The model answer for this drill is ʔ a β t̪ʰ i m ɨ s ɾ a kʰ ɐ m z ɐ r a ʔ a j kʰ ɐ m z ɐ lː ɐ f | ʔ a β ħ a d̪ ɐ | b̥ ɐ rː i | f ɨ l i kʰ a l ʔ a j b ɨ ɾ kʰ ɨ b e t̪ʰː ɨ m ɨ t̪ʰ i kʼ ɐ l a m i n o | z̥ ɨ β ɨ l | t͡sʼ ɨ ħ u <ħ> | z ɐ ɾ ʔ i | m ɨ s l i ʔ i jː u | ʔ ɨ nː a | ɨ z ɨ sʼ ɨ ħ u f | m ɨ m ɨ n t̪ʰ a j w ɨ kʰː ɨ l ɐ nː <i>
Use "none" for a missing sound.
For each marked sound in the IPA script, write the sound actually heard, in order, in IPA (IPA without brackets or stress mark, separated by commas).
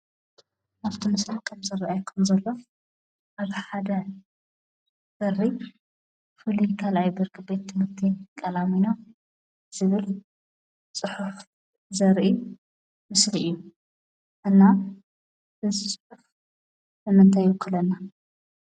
f, a